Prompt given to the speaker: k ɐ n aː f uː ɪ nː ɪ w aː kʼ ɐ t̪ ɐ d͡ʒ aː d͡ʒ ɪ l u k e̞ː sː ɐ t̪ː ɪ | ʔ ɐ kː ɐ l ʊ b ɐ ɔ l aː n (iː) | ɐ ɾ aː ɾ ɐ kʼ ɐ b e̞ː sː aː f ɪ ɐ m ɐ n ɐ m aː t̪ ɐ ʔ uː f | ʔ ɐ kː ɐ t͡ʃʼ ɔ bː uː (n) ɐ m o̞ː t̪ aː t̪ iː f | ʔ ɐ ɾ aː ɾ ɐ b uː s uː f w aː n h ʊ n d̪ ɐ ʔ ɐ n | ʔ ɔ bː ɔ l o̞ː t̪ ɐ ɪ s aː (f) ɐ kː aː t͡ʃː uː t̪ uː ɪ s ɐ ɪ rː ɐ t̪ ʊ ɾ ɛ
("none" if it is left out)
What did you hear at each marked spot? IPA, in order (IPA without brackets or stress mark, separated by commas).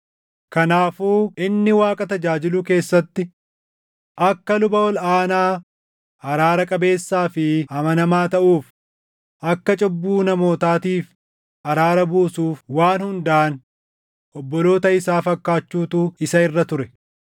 aː, n, f